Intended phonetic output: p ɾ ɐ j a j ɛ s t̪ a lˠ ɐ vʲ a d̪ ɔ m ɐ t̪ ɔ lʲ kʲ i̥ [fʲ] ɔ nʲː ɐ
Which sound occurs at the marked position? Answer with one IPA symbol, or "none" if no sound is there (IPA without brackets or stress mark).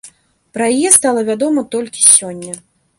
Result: sʲ